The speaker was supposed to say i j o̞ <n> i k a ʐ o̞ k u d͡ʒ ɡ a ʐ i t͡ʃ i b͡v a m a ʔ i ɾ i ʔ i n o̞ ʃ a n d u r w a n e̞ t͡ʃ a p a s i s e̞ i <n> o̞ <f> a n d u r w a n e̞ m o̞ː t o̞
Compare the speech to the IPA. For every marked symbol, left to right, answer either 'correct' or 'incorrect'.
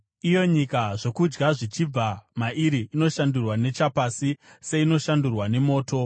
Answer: incorrect: ɲ, correct, incorrect: ʃ

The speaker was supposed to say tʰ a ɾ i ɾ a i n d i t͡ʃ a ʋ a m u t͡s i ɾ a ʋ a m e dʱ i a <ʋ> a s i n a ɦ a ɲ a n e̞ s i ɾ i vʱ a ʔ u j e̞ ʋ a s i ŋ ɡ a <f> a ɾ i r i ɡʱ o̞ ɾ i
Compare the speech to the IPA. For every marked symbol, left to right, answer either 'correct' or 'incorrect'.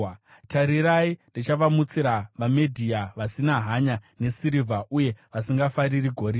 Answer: correct, correct

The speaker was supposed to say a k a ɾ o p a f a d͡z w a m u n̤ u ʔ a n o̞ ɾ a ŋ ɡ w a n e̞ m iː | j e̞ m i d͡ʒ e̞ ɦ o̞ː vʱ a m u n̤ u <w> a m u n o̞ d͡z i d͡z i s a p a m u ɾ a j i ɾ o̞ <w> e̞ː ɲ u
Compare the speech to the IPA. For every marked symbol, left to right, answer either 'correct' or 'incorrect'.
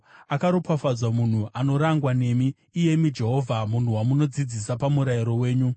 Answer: correct, correct

